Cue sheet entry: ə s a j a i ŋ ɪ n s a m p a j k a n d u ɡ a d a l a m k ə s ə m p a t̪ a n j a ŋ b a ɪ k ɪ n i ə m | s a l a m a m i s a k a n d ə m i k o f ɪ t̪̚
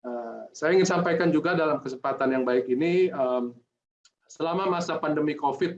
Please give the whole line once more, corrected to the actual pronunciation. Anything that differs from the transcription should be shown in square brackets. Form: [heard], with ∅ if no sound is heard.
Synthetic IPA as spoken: ə s a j a i ŋ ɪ n s a m p a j k a n [d͡ʒ] u ɡ a d a l a m k ə s ə m p a t̪ a n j a ŋ b a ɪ k [i] n i ə m | s [ə] l a m a m [a] s a [p] a n d ə m i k o f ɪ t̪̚